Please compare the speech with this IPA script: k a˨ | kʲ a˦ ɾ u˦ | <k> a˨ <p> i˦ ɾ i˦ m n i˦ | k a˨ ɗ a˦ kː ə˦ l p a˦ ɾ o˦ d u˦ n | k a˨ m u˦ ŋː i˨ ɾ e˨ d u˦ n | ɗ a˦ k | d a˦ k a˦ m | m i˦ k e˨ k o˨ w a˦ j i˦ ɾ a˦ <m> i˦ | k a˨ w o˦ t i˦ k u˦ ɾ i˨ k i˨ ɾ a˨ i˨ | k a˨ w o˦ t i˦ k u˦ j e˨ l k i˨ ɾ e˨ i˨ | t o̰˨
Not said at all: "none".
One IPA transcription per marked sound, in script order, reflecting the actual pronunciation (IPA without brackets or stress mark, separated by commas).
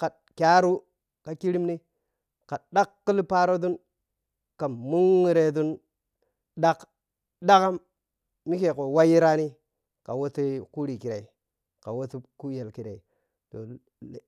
k, k, n